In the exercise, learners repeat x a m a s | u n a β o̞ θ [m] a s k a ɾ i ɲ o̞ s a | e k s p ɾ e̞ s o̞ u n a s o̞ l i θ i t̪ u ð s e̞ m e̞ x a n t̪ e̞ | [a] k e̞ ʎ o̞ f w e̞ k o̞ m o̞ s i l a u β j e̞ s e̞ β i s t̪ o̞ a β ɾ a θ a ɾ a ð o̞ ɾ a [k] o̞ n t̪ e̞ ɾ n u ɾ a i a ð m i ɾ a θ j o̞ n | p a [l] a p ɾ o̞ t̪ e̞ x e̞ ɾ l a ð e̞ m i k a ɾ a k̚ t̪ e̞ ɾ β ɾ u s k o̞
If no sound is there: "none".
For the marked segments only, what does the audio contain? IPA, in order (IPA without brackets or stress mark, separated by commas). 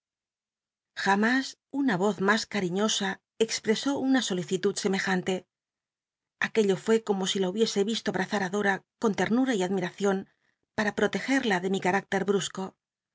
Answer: m, a, k, ɾ